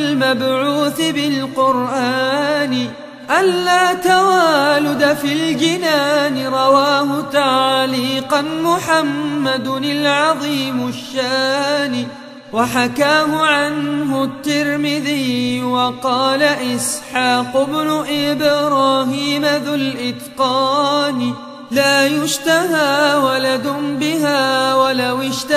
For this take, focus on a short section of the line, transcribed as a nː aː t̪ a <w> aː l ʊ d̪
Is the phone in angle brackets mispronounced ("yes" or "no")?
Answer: no